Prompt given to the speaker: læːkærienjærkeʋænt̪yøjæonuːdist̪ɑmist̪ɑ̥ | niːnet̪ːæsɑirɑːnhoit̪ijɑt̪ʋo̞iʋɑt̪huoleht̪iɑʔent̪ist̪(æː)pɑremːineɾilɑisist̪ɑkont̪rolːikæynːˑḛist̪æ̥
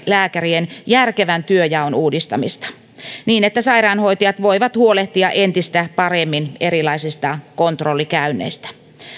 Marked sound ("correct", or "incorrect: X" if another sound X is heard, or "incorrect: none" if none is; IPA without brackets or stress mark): incorrect: æ